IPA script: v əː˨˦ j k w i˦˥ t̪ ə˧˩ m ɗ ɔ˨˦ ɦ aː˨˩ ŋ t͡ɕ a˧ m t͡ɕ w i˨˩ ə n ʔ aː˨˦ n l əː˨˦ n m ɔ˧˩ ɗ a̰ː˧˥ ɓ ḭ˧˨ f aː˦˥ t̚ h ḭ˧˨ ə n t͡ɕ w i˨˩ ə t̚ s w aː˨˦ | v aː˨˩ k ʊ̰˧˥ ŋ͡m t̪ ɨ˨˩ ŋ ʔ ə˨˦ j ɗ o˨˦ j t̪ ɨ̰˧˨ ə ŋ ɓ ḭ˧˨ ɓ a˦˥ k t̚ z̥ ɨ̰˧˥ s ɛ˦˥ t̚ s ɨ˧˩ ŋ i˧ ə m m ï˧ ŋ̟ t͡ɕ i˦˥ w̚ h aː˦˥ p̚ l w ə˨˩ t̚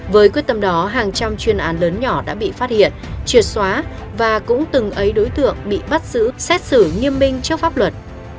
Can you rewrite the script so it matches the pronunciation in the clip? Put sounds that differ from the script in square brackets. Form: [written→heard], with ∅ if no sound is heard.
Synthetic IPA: v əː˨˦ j k w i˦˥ t̪ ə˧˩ m ɗ ɔ˨˦ ɦ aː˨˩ ŋ t͡ɕ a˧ m t͡ɕ w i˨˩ ə n ʔ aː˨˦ n l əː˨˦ n [m→ɲ] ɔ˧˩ ɗ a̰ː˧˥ ɓ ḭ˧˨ f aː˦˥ t̚ h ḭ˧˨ ə n t͡ɕ w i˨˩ ə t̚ s w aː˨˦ | v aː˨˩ k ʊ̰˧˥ ŋ͡m t̪ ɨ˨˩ ŋ ʔ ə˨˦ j ɗ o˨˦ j t̪ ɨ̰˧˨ ə ŋ ɓ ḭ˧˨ ɓ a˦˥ [k→∅] t̚ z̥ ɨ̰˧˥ s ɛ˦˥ t̚ s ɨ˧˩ ŋ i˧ ə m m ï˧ ŋ̟ t͡ɕ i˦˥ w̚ [h→f] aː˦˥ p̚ l w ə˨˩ t̚